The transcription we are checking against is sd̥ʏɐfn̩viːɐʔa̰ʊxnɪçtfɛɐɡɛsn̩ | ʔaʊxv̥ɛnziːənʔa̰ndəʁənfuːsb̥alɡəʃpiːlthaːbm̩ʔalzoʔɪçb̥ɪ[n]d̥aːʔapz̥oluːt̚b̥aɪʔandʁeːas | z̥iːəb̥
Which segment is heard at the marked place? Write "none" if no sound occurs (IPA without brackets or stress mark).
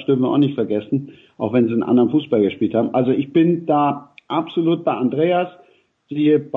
n